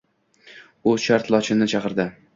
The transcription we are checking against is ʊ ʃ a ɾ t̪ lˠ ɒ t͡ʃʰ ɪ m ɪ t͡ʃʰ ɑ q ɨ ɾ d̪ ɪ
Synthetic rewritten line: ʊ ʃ a ɾ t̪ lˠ ɒ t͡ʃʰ ɪ n ɪ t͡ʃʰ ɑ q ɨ ɾ d̪ ɪ